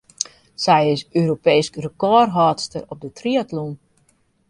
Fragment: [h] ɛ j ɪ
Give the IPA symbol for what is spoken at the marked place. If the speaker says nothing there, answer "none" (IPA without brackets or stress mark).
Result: s